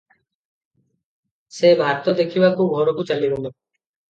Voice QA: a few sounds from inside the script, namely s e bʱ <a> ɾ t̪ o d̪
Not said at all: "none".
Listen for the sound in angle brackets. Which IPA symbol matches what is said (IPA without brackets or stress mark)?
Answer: a